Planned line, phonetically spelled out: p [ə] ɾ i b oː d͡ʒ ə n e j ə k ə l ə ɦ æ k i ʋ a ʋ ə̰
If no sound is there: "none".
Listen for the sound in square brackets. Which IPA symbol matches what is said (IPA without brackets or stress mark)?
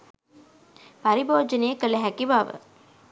a